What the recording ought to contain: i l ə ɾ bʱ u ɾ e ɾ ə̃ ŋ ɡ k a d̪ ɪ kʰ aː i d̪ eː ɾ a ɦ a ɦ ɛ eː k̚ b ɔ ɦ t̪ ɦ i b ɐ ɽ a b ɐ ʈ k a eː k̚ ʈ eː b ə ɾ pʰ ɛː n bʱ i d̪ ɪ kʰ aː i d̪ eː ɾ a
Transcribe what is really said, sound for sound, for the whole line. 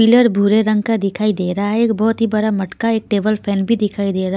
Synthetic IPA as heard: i l ə ɾ bʱ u ɾ e ɾ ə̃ ŋ ɡ k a d̪ ɪ kʰ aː i d̪ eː ɾ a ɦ a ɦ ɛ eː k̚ b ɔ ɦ t̪ ɦ i b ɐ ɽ a m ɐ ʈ k a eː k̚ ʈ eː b ə l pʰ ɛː n bʱ i d̪ ɪ kʰ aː i d̪ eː ɾ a